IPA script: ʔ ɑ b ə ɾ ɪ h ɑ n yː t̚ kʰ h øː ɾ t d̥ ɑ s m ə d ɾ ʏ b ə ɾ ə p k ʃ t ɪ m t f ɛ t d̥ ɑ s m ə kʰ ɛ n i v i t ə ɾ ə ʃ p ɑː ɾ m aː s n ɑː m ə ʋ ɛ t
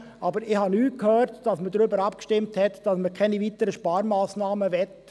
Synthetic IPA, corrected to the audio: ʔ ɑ b ə ɾ ɪ h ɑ n yː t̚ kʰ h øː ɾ t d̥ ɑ s m ə d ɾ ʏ b ə ɾ ɑ p k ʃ t ɪ m t h ɛ t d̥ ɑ s m ə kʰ ɛ n i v i t ə ɾ ə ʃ p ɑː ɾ m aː s n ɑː m ə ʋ ɛ t